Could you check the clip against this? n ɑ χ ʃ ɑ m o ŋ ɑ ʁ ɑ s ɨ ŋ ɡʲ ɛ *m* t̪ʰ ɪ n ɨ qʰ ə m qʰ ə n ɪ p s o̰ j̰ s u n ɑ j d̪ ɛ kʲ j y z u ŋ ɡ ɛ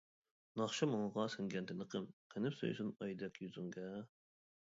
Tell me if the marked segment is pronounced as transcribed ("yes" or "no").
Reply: no